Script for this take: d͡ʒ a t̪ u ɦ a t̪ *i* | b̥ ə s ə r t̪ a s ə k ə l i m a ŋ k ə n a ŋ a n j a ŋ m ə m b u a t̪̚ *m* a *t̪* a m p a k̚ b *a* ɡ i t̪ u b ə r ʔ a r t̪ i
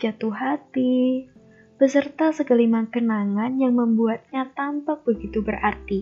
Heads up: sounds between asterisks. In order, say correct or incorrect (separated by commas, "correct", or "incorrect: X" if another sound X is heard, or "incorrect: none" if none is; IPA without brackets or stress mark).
correct, incorrect: ɲ, correct, incorrect: ə